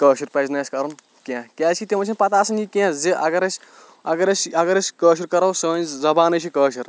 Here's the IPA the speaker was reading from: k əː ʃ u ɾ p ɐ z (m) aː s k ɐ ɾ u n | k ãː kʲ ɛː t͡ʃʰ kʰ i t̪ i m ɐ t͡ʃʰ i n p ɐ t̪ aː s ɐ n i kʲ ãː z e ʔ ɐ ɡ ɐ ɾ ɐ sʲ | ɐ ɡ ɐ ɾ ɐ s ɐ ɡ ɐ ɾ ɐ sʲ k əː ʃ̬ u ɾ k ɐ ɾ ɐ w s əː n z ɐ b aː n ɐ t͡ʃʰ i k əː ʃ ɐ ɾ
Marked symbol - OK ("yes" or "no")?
no